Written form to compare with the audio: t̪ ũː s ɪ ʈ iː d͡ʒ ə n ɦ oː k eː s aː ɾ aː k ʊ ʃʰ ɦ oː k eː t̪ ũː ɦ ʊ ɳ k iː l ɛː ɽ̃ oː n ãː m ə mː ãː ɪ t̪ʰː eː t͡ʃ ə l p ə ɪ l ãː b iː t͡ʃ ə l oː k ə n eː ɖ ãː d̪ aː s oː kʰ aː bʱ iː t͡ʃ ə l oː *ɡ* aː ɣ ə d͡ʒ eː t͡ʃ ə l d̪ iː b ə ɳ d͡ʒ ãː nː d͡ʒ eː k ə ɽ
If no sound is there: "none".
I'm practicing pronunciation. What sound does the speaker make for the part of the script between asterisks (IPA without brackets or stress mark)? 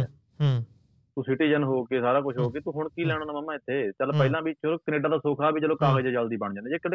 k